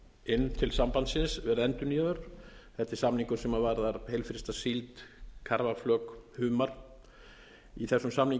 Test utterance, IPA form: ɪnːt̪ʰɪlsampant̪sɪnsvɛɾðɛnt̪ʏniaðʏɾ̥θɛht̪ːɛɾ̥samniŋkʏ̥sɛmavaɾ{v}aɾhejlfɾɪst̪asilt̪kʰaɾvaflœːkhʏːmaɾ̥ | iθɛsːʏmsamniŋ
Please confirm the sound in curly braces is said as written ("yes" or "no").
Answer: no